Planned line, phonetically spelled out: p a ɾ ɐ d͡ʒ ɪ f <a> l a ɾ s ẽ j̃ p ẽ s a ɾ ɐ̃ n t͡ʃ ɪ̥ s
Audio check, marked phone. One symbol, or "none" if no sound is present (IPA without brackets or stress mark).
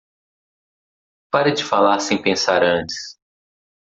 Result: a